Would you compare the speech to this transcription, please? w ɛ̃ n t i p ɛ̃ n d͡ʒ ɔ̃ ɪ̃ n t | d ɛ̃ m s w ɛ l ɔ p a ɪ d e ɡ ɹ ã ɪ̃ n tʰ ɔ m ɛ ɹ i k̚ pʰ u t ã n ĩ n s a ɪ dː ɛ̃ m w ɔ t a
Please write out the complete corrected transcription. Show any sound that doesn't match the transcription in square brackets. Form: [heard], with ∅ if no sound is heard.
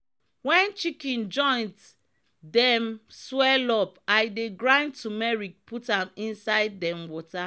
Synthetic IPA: w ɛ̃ n [t͡ʃ] i [k] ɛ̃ n d͡ʒ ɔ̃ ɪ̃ n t | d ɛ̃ m s w ɛ l ɔ p a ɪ d e ɡ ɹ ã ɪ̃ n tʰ [u] m ɛ ɹ i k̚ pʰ u t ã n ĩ n s a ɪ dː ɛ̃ m w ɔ t a

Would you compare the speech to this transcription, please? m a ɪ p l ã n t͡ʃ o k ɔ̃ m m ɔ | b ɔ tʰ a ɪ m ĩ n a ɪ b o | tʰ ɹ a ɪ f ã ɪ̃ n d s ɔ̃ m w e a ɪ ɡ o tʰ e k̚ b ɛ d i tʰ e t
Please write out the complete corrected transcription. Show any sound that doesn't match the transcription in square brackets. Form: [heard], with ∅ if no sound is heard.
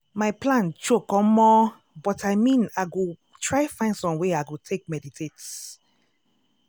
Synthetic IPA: m a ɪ p l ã n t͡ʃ o k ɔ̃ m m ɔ | b ɔ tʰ a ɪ m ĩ n a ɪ [ɡ] o | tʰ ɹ a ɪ f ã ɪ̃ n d s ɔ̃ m w e a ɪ ɡ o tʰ e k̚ [m] ɛ d i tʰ e t

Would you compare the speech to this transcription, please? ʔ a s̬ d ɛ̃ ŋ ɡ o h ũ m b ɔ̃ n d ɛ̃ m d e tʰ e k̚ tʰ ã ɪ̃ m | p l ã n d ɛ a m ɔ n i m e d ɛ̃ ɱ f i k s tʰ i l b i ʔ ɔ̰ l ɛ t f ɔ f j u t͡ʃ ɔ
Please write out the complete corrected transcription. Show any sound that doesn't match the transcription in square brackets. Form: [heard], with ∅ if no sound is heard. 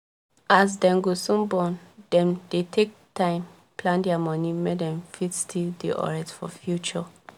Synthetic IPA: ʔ a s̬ d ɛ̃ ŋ ɡ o [s] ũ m b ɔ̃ n d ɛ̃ m d e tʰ e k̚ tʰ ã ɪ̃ m | p l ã n d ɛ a m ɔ n i m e d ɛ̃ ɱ f i [t] s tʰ i l [d] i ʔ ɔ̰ [ɹ] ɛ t f ɔ f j u t͡ʃ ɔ

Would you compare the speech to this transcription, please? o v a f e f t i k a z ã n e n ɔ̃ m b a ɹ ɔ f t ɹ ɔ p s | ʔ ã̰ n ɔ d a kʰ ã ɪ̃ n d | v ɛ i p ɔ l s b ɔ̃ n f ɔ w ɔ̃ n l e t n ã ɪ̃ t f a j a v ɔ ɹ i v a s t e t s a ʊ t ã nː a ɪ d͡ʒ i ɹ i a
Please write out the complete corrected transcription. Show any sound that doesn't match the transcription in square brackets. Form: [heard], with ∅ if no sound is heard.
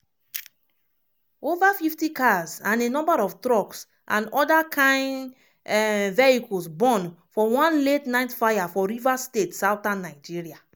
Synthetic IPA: o v a f [i] f t i k a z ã n e n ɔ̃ m b a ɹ ɔ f t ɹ ɔ [k] s | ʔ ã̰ n ɔ d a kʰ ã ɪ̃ n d | v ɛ i [k] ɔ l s b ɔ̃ n f ɔ w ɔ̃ n l e t n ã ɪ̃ t f a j a [f] ɔ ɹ i v a s t e t s a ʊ t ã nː a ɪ d͡ʒ i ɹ i a

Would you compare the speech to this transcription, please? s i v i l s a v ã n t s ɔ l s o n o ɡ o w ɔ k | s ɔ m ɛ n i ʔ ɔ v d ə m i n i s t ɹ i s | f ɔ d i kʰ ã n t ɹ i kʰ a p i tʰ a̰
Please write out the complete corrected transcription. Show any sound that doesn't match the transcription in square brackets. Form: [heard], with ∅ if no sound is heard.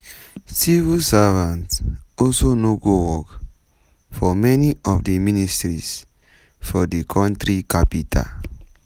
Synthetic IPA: s i v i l s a v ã n t s ɔ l s o n o ɡ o w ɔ k | [f] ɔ m ɛ n i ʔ ɔ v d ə m i n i s t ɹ i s | f ɔ d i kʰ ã n t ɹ i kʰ a p i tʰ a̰

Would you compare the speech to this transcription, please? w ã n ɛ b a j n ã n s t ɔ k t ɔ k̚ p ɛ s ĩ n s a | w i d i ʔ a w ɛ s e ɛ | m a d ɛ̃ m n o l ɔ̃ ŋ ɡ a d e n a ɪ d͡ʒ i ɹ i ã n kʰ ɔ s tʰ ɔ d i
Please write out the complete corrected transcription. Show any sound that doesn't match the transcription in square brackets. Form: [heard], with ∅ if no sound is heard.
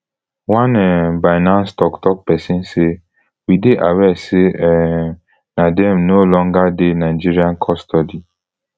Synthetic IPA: w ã n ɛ b a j n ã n s t ɔ k t ɔ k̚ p ɛ s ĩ n s [e] | w i d [e] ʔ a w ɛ s e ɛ | [n] a d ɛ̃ m n o l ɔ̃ ŋ ɡ a d e n a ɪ d͡ʒ i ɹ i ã n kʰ ɔ s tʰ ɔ d i

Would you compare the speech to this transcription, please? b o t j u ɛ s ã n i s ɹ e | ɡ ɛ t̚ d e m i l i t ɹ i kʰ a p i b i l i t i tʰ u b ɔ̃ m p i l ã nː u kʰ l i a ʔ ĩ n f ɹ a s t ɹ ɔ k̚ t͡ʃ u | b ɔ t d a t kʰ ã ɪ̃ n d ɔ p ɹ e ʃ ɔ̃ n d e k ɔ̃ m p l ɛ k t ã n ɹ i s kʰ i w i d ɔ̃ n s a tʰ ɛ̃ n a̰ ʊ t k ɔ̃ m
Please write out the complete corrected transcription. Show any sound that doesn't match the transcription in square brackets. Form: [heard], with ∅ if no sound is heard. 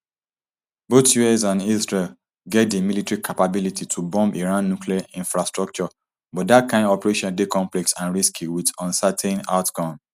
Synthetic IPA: b o t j u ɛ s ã n i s ɹ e | ɡ ɛ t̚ d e m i l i t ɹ i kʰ a p [a] b i l i t i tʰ u b ɔ̃ m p i [ɹ] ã nː u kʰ l i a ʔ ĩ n f ɹ a s t ɹ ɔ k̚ t͡ʃ [ɔ] | b ɔ t d a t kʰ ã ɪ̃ n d ɔ p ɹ e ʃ ɔ̃ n d e k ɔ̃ m p l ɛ k [s] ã n ɹ i s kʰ i w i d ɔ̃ n s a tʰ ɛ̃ n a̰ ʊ t k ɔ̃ m

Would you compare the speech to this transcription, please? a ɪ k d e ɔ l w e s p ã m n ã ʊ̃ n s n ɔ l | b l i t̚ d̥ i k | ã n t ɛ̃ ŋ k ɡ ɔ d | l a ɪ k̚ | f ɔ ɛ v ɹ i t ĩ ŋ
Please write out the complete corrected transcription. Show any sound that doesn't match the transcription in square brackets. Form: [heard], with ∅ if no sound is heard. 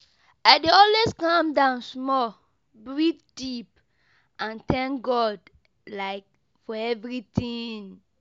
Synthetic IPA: a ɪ [∅] d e ɔ l w e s [k] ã m [d] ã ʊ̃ n s [m] ɔ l | b [ɹ] i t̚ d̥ i [p] | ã n t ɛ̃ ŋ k ɡ ɔ d | l a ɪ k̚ | f ɔ ɛ v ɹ i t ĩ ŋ

